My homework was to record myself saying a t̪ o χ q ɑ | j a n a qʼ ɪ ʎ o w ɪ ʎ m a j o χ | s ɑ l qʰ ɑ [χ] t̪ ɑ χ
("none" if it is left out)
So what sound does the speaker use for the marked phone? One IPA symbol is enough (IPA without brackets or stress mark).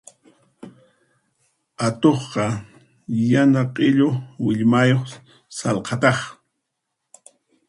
none